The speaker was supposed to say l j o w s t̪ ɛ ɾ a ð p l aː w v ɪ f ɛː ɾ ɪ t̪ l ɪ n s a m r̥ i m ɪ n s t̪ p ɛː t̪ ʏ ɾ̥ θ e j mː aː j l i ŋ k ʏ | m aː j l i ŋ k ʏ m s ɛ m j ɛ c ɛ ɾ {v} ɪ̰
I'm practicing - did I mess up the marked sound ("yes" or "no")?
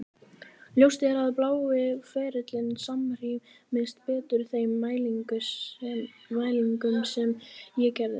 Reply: yes